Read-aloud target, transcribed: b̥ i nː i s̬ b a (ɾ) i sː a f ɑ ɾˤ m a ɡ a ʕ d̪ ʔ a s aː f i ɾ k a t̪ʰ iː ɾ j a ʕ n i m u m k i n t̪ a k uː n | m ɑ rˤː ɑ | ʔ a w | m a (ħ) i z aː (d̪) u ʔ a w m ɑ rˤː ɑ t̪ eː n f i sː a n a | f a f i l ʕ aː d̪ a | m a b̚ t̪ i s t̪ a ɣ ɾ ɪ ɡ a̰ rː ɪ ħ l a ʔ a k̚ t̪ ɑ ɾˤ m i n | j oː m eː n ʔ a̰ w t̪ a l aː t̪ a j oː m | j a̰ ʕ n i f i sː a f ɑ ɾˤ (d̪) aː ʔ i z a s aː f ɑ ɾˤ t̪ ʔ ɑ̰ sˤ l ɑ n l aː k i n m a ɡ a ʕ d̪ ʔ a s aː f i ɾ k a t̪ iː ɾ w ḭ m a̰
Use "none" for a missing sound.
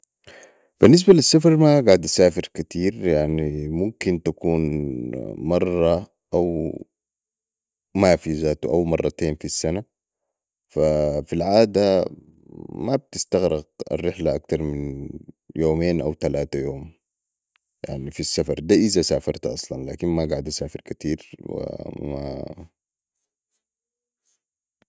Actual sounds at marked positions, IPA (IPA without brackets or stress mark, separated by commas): l, f, t̪, d̪